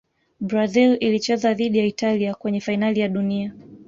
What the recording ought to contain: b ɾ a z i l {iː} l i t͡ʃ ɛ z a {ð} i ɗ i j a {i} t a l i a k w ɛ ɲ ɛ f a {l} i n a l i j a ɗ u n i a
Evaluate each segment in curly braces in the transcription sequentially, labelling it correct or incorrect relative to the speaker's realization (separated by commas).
incorrect, correct, correct, incorrect